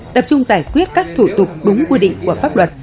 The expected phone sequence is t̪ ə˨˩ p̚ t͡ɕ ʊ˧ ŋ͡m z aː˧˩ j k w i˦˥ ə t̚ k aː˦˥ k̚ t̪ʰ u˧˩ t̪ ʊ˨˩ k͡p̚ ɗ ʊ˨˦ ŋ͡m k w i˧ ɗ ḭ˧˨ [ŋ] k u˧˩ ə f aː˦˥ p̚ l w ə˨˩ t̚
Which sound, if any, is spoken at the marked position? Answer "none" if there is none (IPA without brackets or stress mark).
ŋ